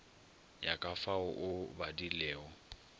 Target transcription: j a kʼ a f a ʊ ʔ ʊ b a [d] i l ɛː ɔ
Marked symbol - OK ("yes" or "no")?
yes